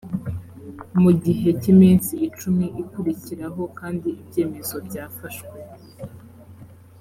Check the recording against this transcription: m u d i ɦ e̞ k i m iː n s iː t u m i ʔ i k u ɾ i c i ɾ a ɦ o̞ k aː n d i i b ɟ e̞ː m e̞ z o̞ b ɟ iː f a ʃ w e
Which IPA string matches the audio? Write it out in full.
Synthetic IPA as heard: m u ɟ i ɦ e̞ c i m iː n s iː t͡ʃ u m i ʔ i k u ɾ i c i ɾ a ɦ o̞ k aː n d i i b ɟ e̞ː m e̞ z o̞ b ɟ aː f a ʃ w e